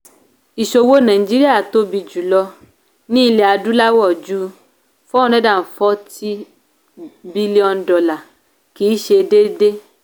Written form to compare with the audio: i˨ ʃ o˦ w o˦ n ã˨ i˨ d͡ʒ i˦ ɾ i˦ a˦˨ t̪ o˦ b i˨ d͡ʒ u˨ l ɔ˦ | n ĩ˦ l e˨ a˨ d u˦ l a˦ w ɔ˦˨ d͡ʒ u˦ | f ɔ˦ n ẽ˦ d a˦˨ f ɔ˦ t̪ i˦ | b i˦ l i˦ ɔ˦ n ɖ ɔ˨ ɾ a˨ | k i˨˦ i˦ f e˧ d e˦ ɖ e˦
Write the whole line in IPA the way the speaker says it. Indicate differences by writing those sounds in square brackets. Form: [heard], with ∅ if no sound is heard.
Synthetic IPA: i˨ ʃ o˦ w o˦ n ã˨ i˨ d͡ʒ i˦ ɾ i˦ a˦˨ t̪ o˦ b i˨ d͡ʒ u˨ l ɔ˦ | n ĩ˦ l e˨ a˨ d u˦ l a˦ w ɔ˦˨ d͡ʒ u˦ | f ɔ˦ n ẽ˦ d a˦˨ f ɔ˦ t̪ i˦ | b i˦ l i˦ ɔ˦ n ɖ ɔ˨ [l] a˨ | k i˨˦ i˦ [ʃ] e˧ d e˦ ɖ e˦